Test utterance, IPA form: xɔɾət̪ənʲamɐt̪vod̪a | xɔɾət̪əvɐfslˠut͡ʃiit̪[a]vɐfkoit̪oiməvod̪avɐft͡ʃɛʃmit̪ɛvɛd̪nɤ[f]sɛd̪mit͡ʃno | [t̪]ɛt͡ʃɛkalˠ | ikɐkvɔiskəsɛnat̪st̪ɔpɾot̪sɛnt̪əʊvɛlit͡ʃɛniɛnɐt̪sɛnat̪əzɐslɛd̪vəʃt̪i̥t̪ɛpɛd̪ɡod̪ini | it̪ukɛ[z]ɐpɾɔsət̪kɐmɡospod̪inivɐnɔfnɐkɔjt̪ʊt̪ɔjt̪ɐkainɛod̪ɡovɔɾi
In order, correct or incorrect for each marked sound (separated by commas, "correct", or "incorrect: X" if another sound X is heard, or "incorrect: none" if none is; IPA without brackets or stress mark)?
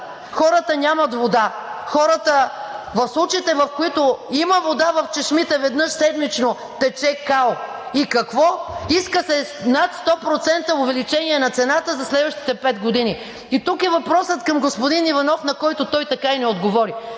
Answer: incorrect: ɛ, incorrect: ʃ, correct, incorrect: v